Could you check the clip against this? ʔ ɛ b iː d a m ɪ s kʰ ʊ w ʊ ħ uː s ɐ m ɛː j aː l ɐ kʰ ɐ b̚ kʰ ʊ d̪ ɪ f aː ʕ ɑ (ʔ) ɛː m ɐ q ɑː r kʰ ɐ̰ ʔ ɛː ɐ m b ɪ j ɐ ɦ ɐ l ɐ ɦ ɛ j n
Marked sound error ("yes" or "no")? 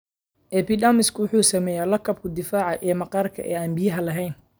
no